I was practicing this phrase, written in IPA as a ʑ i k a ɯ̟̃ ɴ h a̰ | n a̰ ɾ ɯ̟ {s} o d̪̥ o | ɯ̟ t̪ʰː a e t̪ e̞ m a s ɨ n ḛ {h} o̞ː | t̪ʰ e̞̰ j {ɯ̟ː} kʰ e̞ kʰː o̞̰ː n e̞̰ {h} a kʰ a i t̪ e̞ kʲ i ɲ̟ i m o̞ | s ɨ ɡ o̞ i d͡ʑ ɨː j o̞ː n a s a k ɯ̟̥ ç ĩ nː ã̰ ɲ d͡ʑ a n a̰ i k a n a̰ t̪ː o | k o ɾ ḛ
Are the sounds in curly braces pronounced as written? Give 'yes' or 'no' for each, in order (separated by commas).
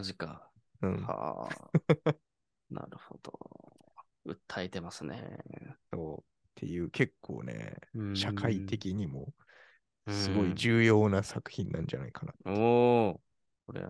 no, no, yes, no